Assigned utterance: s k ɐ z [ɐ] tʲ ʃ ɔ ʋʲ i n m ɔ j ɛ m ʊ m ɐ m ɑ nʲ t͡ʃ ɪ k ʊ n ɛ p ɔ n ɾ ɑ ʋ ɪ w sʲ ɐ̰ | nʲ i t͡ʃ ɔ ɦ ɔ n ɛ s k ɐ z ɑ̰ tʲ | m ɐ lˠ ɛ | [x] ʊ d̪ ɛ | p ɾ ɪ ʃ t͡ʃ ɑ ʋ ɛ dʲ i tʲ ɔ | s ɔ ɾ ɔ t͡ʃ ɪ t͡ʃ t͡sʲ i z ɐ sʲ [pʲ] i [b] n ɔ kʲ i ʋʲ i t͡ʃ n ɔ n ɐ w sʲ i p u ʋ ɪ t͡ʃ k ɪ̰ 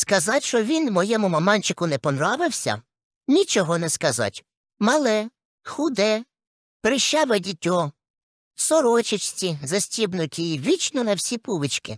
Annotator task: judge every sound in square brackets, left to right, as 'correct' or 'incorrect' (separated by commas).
incorrect, correct, incorrect, correct